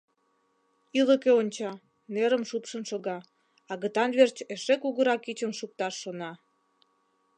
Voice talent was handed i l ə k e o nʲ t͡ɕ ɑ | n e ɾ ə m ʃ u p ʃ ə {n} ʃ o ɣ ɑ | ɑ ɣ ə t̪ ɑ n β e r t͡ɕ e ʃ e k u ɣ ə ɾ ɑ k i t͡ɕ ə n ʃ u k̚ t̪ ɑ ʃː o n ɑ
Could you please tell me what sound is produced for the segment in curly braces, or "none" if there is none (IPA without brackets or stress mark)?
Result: n